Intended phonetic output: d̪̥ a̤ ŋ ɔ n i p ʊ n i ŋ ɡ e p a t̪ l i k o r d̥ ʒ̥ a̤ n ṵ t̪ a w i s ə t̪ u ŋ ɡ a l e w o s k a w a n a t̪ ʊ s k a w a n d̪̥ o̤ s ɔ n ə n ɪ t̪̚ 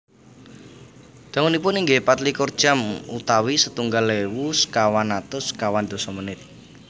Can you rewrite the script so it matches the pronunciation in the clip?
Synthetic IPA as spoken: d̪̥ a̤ ŋ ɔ n i p ʊ n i ŋ ɡ e p a t̪ l i k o r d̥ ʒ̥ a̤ m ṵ t̪ a w i s ə t̪ u ŋ ɡ a l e w u s k a w a n a t̪ ʊ s k a w a n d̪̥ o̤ s ɔ m ə n ɪ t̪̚